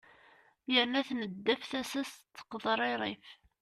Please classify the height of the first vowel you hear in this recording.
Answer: mid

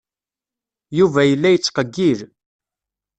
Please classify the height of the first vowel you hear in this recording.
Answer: high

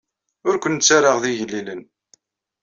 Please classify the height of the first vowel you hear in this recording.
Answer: high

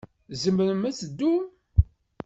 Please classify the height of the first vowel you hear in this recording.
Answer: mid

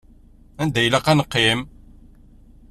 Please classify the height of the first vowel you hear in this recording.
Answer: low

